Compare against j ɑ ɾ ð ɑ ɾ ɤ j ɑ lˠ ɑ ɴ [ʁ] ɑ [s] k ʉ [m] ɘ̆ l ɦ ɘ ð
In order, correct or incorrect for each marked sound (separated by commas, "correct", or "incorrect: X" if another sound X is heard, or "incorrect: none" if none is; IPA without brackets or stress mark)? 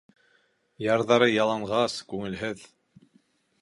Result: correct, correct, incorrect: ŋ